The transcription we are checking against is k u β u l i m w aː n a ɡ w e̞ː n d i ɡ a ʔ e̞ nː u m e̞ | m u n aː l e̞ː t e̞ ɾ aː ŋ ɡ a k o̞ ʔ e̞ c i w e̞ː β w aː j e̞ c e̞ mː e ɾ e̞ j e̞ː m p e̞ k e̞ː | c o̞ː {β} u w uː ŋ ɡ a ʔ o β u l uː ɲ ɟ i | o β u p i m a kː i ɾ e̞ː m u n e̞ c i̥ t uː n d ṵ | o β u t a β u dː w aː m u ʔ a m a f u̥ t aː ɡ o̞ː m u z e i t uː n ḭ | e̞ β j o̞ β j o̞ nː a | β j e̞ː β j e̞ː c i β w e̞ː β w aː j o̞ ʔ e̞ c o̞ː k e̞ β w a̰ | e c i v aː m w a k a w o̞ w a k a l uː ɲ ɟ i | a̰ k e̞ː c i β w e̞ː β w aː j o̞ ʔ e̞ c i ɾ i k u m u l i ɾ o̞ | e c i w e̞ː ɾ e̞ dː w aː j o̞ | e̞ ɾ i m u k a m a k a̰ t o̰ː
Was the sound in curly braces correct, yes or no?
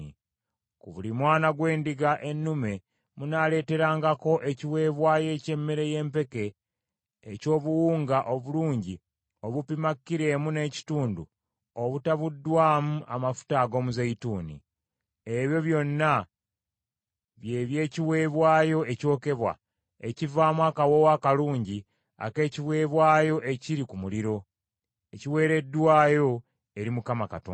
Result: yes